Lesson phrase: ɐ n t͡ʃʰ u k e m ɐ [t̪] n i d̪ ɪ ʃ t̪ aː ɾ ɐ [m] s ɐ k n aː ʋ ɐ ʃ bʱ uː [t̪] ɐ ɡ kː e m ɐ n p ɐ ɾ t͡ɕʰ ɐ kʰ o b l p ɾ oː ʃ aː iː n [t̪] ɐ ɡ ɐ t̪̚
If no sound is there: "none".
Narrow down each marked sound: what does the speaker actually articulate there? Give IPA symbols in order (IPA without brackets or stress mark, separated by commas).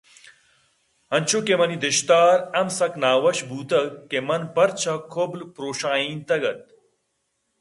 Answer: none, m, t̪, t̪